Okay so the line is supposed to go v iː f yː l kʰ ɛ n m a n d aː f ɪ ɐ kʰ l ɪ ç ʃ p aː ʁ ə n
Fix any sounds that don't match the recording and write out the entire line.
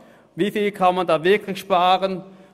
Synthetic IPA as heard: v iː f iː l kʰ a n m a n d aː v ɪ ɐ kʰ l ɪ ç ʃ p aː ʁ ə n